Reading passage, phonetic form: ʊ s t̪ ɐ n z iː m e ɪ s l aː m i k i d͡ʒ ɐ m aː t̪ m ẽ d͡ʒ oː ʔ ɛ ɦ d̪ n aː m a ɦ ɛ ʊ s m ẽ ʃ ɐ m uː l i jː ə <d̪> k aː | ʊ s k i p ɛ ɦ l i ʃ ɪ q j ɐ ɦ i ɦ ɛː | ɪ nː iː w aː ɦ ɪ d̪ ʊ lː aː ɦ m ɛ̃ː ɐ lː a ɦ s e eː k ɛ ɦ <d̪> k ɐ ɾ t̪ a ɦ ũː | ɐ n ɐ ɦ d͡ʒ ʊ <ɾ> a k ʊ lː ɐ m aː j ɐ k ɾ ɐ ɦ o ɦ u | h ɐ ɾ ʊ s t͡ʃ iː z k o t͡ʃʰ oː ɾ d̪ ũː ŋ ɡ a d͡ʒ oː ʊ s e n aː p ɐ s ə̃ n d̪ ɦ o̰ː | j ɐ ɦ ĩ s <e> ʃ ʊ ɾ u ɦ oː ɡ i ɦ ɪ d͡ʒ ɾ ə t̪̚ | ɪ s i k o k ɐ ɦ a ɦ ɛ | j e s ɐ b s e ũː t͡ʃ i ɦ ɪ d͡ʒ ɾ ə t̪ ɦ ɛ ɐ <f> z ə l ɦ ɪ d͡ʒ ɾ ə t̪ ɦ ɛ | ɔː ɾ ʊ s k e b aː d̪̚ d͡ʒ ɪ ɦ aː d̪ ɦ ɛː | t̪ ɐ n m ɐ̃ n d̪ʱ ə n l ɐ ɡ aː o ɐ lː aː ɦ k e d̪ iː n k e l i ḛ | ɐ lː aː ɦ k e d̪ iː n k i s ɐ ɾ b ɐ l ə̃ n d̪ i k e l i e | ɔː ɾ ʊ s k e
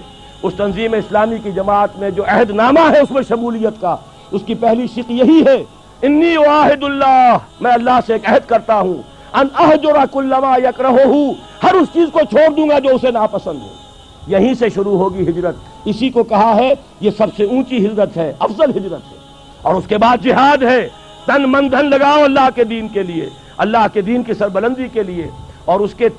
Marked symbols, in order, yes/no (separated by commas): no, yes, yes, yes, yes